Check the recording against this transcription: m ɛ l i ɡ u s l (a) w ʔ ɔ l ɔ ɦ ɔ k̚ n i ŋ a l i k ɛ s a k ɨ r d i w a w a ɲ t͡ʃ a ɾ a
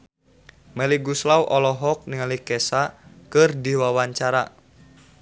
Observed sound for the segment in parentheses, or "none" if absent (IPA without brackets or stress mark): a